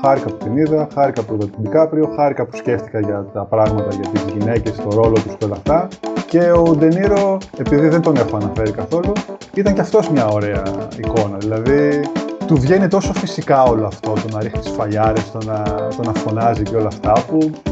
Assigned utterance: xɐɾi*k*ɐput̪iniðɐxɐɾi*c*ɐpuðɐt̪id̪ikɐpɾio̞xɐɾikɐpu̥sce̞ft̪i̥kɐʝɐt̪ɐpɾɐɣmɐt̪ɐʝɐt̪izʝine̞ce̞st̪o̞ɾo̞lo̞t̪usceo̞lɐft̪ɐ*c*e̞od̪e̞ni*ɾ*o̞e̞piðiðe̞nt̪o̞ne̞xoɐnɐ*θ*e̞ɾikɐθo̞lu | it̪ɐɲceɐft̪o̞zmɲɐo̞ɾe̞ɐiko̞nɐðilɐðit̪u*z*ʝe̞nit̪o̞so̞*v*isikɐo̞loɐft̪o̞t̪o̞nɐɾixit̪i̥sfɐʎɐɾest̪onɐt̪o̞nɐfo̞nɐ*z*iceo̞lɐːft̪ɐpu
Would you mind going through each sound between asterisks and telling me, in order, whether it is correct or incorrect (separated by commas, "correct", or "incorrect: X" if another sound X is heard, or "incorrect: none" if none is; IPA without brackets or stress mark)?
correct, incorrect: k, correct, correct, incorrect: f, incorrect: v, incorrect: f, correct